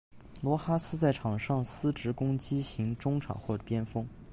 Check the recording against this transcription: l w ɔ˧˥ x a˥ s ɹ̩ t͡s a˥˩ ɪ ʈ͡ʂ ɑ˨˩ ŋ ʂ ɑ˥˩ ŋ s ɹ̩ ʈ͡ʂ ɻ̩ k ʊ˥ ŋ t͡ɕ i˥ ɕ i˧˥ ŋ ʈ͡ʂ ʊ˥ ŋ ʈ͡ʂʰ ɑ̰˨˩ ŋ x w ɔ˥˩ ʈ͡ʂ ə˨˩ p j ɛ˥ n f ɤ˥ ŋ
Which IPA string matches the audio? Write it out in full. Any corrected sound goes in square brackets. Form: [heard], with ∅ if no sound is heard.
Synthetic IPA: l w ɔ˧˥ x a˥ s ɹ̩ t͡s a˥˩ ɪ [ʈ͡ʂʰ] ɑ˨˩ ŋ ʂ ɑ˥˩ ŋ s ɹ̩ ʈ͡ʂ ɻ̩ k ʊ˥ ŋ t͡ɕ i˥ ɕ i˧˥ ŋ ʈ͡ʂ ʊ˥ ŋ ʈ͡ʂʰ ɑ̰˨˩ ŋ x w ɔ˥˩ ʈ͡ʂ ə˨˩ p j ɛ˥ n f ɤ˥ ŋ